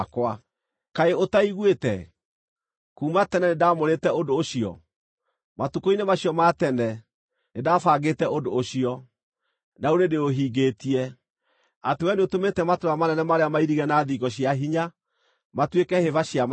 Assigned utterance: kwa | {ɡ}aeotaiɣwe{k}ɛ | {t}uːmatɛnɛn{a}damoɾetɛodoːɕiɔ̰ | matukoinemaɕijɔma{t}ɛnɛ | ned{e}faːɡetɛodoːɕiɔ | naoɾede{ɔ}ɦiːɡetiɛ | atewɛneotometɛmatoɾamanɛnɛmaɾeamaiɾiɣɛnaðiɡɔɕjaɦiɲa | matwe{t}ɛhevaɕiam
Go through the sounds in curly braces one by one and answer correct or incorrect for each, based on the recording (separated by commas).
incorrect, incorrect, incorrect, incorrect, correct, incorrect, incorrect, incorrect